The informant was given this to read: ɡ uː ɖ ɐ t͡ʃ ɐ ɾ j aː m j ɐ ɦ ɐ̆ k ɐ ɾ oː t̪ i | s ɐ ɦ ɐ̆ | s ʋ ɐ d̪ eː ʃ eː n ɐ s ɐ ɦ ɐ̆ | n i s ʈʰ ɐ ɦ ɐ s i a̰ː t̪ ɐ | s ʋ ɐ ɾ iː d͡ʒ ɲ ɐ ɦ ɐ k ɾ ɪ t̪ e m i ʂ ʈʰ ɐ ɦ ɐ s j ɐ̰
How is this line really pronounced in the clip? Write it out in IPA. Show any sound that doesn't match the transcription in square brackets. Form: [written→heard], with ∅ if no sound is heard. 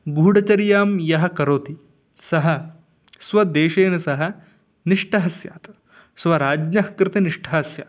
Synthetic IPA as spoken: ɡ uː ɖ ɐ t͡ʃ ɐ ɾ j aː m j ɐ ɦ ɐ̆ k ɐ ɾ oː t̪ i | s ɐ ɦ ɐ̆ | s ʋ ɐ d̪ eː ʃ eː n ɐ s ɐ ɦ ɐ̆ | n i [s→ʂ] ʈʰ ɐ ɦ ɐ s [i→j] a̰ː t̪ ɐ | s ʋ ɐ ɾ [iː→aː] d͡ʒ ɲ ɐ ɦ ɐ k ɾ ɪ t̪ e [m→n] i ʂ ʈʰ ɐ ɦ ɐ s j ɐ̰

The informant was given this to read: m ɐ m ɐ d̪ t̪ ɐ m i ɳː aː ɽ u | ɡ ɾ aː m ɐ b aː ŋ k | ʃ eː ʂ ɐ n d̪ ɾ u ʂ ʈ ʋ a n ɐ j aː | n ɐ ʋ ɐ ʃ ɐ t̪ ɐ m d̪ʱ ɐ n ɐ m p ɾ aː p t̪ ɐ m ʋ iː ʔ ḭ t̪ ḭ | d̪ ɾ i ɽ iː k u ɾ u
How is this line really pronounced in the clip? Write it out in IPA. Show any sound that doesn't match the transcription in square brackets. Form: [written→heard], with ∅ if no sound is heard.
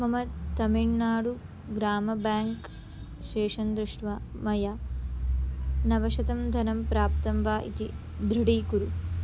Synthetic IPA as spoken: m ɐ m ɐ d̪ t̪ ɐ m i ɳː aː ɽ u | ɡ ɾ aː m ɐ b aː ŋ k | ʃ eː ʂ ɐ n d̪ ɾ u ʂ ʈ ʋ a [n→m] ɐ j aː | n ɐ ʋ ɐ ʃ ɐ t̪ ɐ m d̪ʱ ɐ n ɐ m p ɾ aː p t̪ ɐ m ʋ [iː→aː] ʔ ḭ t̪ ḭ | d̪ ɾ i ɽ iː k u ɾ u

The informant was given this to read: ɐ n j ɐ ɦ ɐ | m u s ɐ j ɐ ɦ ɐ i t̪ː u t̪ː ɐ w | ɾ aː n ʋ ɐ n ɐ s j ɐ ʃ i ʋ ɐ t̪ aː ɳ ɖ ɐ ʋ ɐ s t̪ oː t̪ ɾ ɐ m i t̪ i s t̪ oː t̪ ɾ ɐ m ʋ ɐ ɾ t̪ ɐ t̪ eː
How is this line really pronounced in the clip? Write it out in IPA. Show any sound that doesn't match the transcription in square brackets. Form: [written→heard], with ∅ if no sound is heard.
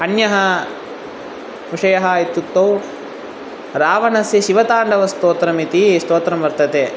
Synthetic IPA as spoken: ɐ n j ɐ ɦ ɐ | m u [s→ʂ] ɐ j ɐ ɦ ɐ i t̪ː u t̪ː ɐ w | ɾ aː [n→∅] ʋ ɐ n ɐ s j ɐ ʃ i ʋ ɐ t̪ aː ɳ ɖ ɐ ʋ ɐ s t̪ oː t̪ ɾ ɐ m i t̪ i s t̪ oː t̪ ɾ ɐ m ʋ ɐ ɾ t̪ ɐ t̪ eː

